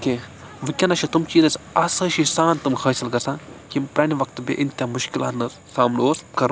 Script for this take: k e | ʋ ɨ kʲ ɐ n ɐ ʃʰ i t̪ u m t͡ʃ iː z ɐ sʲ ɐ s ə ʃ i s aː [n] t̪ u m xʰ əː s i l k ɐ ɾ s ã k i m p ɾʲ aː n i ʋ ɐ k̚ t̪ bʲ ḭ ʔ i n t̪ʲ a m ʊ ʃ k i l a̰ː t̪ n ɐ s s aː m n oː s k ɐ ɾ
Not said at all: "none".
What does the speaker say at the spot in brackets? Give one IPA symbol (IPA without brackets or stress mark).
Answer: n